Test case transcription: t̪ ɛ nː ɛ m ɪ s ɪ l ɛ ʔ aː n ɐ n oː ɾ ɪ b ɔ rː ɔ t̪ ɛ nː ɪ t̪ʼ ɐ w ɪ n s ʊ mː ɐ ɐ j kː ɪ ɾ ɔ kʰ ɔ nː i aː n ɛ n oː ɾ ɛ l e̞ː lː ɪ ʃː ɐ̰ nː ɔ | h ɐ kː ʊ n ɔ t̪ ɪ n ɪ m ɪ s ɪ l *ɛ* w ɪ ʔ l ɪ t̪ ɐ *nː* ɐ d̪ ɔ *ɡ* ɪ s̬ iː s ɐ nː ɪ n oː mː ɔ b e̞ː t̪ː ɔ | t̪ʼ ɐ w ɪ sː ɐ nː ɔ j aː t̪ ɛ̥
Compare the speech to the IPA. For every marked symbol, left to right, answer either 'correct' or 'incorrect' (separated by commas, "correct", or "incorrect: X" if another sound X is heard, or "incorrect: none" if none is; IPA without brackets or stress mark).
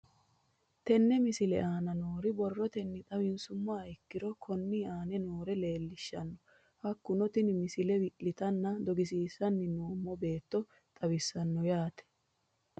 correct, correct, correct